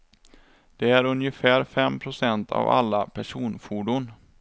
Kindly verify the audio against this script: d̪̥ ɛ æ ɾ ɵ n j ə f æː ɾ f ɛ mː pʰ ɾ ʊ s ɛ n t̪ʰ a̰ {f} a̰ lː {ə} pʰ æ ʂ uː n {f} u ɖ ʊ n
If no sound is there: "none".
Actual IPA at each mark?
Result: v, a, f

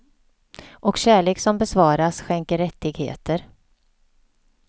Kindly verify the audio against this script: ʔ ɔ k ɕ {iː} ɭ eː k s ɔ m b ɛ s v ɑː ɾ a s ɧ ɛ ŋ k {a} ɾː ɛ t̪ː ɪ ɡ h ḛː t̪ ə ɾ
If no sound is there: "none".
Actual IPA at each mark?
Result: æː, ə

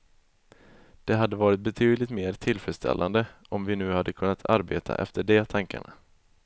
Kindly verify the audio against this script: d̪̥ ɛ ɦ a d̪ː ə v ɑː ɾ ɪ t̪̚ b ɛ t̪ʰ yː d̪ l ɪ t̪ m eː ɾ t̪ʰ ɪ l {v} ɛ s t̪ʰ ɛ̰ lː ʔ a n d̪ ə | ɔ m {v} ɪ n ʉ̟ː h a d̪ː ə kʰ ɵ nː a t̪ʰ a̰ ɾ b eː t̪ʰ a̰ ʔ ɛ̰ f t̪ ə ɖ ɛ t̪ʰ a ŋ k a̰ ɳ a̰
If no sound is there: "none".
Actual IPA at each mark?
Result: f, v

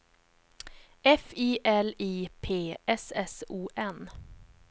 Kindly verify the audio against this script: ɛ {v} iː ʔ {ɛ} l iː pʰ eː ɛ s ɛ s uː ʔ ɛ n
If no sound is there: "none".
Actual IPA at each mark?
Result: f, ɛ

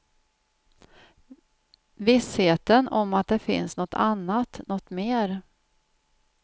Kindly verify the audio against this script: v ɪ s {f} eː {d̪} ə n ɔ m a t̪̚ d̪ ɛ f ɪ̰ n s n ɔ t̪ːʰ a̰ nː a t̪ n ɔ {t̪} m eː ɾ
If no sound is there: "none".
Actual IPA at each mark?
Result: h, t̪, t̪

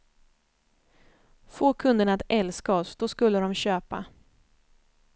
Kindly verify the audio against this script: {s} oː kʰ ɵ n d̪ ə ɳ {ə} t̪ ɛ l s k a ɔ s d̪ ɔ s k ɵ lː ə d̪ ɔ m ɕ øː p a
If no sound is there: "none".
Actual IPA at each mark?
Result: f, a

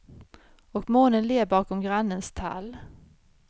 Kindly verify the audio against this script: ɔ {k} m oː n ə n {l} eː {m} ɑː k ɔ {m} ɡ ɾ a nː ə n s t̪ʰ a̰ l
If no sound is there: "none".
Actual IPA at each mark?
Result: k, l, b, m

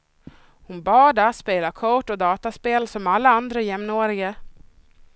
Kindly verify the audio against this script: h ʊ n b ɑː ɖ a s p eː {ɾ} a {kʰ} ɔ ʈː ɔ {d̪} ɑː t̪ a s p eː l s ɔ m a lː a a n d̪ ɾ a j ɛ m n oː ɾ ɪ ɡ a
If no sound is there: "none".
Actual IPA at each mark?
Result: l, kʰ, d̪

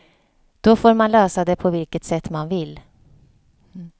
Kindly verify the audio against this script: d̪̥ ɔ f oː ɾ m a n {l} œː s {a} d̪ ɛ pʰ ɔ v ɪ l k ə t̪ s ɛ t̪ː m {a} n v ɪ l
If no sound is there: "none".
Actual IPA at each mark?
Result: l, a, a

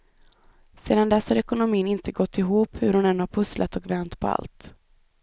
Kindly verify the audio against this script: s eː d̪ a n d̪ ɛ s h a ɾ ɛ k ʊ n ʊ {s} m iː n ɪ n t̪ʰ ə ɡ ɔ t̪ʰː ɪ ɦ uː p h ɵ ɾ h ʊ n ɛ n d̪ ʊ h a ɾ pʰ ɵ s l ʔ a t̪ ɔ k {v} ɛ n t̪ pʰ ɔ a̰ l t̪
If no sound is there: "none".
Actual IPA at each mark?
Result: none, v

